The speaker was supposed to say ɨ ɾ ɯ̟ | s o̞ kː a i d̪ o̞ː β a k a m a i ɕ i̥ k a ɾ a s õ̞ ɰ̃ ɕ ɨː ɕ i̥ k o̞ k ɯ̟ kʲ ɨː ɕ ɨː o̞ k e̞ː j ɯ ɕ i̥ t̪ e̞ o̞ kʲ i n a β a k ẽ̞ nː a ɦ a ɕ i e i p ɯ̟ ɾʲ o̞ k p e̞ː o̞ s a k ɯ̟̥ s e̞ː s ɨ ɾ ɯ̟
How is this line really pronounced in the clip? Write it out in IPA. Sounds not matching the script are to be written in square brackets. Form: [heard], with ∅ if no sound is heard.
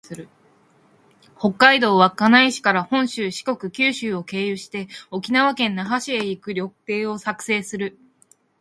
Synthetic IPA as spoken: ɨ ɾ ɯ̟ | [h] o̞ kː a i d̪ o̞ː β a k a [n] a i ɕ i̥ k a ɾ a [h] õ̞ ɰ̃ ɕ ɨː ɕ i̥ k o̞ k ɯ̟ kʲ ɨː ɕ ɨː o̞ k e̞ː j ɯ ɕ i̥ t̪ e̞ o̞ kʲ i n a β a k ẽ̞ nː a ɦ a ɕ i e i [k] ɯ̟ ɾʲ o̞ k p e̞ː o̞ s a k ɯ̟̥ s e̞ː s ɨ ɾ ɯ̟